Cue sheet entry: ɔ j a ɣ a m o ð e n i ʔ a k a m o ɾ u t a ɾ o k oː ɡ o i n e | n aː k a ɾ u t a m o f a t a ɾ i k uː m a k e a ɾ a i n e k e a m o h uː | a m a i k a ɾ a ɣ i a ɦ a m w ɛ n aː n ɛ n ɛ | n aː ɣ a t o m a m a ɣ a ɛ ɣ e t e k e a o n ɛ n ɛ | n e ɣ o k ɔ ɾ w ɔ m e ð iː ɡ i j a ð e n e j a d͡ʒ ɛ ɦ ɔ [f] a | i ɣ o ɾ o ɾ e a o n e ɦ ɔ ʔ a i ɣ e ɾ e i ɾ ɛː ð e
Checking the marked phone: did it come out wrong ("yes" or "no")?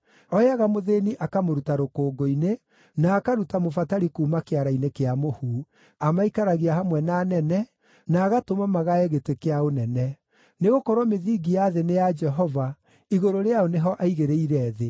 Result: yes